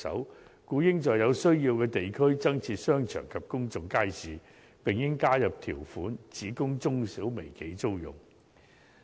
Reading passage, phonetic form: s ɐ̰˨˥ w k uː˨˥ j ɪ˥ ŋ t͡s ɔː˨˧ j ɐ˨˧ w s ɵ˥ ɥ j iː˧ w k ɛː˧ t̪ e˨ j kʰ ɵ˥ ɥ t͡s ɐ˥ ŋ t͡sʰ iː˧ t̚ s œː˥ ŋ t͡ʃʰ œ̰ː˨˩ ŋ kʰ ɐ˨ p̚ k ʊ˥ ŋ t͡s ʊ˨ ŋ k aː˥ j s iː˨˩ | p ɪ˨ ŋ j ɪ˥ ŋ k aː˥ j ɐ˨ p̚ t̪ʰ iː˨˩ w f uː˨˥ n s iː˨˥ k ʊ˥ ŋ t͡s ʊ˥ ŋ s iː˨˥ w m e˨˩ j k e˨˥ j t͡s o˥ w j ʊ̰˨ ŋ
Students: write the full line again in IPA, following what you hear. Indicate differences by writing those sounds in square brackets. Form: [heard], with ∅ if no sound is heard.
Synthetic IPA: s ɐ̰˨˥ w k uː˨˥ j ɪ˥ ŋ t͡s ɔː˨˧ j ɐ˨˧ w s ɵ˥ ɥ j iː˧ w k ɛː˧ t̪ e˨ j kʰ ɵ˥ ɥ t͡s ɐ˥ ŋ t͡sʰ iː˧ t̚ s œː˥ ŋ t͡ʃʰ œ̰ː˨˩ ŋ kʰ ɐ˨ p̚ k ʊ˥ ŋ t͡s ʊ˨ ŋ k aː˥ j s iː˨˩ | p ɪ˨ ŋ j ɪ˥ ŋ k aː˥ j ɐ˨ p̚ t̪ʰ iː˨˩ w f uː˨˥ n [t͡s] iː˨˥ k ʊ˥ ŋ t͡s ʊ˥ ŋ s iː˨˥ w m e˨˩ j k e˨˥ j t͡s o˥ w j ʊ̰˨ ŋ

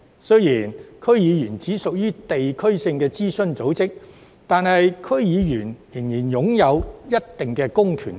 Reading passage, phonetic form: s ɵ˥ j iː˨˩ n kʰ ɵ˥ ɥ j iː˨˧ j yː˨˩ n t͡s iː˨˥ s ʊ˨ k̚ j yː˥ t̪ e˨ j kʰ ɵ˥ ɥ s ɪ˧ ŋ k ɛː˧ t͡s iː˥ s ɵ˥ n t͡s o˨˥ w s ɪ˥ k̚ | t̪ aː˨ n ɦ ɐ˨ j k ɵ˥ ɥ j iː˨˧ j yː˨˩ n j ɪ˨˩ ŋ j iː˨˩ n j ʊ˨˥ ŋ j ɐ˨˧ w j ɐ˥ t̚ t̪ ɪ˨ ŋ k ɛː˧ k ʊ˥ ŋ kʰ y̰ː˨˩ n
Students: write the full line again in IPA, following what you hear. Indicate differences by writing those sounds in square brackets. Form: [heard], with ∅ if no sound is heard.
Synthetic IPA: s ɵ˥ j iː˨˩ n kʰ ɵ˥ ɥ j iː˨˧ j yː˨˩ n t͡s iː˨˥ s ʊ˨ k̚ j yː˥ t̪ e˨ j kʰ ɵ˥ ɥ s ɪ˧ ŋ k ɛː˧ t͡s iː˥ s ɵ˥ n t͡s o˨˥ w [t͡s] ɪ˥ k̚ | t̪ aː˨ n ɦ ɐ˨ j [kʰ] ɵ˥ ɥ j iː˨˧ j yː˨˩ n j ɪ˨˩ ŋ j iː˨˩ n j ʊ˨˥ ŋ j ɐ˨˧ w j ɐ˥ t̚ t̪ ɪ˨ ŋ k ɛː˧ k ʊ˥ ŋ kʰ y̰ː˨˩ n

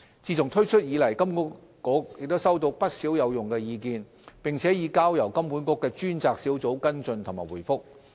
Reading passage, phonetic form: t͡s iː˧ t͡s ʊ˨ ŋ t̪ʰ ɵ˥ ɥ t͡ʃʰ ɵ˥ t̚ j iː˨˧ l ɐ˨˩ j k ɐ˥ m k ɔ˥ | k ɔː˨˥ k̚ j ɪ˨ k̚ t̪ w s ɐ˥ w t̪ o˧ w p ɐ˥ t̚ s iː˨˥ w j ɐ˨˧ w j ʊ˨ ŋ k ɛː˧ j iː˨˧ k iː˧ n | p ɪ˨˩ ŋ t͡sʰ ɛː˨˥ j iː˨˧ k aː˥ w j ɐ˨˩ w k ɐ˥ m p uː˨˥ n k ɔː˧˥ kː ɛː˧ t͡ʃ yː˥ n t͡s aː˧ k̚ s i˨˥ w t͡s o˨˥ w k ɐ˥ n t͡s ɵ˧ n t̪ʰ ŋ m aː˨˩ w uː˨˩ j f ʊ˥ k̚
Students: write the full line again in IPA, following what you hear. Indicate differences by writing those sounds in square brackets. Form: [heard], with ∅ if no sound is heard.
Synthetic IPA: t͡s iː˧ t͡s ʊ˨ ŋ t̪ʰ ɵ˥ ɥ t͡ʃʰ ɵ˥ t̚ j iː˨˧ l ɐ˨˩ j k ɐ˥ m k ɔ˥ | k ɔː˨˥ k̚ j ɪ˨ k̚ t̪ w s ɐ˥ w t̪ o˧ w p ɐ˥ t̚ s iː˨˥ w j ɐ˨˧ w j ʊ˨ ŋ k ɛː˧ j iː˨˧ k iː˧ n | p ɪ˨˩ ŋ t͡sʰ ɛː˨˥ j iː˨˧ k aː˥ w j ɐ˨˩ w k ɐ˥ m p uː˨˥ n k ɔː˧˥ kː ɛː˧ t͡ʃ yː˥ n t͡s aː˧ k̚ s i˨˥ w t͡s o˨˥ w k ɐ˥ n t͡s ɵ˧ n t̪ʰ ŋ m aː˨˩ w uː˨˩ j f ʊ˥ k̚

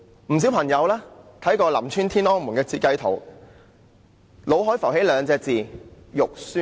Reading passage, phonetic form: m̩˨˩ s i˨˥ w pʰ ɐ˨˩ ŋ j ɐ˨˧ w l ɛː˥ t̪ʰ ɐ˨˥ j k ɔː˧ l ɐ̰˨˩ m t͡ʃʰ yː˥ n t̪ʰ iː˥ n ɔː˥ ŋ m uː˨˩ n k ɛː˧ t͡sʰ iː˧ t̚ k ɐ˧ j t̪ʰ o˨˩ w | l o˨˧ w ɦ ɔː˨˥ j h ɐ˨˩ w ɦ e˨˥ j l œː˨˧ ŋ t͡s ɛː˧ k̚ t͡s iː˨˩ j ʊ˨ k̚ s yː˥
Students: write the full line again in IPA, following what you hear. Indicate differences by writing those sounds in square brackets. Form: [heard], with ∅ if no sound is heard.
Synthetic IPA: m̩˨˩ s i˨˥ w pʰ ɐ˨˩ ŋ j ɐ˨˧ w l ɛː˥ t̪ʰ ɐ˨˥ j k ɔː˧ l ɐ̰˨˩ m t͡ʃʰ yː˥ n t̪ʰ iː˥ n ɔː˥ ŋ m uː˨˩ n k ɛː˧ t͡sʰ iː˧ t̚ k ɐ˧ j t̪ʰ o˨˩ w | l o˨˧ w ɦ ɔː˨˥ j [f] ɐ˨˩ w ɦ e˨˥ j l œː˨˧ ŋ t͡s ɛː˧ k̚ t͡s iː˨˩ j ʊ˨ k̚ s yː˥

